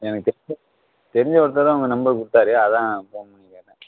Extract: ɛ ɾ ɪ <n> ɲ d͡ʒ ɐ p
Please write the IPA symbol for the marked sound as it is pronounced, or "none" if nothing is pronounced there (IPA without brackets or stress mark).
none